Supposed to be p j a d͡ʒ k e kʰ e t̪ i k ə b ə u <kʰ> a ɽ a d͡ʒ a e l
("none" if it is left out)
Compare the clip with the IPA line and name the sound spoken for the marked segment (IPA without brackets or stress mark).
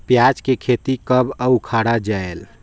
kʰ